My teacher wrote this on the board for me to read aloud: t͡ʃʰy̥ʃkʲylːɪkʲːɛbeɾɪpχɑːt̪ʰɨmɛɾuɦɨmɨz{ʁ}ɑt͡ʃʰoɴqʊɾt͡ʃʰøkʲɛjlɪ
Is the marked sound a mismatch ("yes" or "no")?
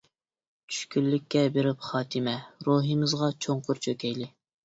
no